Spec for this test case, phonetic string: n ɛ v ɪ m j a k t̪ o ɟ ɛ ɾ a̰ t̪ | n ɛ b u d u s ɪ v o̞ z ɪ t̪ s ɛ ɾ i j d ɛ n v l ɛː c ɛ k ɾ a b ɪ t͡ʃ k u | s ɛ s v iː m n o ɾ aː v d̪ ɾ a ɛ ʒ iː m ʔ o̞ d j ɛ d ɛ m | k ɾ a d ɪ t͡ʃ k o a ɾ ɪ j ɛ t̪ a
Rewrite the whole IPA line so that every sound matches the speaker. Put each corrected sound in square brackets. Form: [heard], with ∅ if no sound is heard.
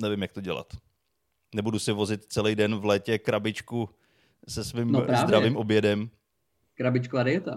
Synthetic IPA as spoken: n ɛ v ɪ m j a k t̪ o ɟ ɛ [l] a̰ t̪ | n ɛ b u d u s ɪ v o̞ z ɪ t̪ [t͡s] ɛ [l] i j d ɛ n v l ɛː c ɛ k ɾ a b ɪ t͡ʃ k u | s ɛ s v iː m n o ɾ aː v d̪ ɾ a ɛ [v] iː m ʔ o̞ [b] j ɛ d ɛ m | k ɾ a [b] ɪ t͡ʃ k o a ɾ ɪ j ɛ t̪ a